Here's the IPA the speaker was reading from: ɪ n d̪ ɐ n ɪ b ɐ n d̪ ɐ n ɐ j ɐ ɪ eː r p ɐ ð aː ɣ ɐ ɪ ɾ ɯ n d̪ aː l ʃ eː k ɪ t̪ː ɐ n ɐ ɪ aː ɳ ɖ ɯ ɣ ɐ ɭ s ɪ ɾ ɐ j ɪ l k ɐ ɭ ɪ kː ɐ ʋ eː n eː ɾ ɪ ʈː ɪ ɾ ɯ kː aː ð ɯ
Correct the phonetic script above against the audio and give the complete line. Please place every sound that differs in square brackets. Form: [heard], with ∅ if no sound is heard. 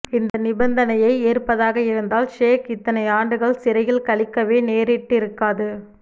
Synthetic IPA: ɪ n d̪ ɐ n ɪ b ɐ n d̪ ɐ n ɐ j ɐ ɪ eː r p ɐ ð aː ɣ ɐ ɪ ɾ ɯ n d̪ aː l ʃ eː k ɪ t̪ː ɐ n ɐ ɪ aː ɳ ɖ ɯ ɣ ɐ ɭ s ɪ ɾ ɐ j ɪ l k ɐ ɭ ɪ kː ɐ ʋ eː n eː ɾ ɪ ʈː ɪ ɾ ɯ kː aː ð ɯ